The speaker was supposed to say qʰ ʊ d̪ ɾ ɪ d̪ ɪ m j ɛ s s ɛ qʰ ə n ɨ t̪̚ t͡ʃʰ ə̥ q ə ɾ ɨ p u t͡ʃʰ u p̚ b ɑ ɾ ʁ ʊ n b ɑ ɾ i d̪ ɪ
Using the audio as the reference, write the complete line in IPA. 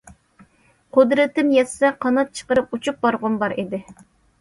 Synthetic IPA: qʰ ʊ d̪ ɾ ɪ t̪ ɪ m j ɛ s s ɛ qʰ ɑ n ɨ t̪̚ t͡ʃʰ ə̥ q ə ɾ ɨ p u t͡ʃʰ u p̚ b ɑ ɾ ʁ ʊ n b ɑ ɾ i d̪ ɪ